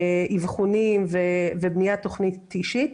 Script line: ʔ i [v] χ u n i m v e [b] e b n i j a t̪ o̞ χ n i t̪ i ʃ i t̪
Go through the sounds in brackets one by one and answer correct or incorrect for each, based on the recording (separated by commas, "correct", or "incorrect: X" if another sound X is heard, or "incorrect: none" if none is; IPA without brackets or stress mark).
correct, incorrect: v